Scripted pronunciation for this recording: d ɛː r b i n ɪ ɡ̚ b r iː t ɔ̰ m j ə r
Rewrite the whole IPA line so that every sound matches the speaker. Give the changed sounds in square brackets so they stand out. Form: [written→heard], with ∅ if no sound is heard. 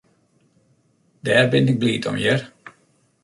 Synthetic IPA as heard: d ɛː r b [i→ɪ] n ɪ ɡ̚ b [r→l] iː t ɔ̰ m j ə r